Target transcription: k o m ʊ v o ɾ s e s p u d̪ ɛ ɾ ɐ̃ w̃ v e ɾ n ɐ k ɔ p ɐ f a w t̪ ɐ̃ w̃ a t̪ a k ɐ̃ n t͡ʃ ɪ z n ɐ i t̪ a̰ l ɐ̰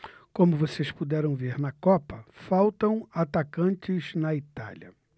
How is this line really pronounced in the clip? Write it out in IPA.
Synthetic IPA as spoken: k õ m ʊ v o s e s p u d̪ ɛ ɾ ɐ̃ w̃ v e ɾ n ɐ k ɔ p ɐ f a w t̪ ɐ̃ w̃ a t̪ a k ɐ̃ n t͡ʃ ɪ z n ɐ i t̪ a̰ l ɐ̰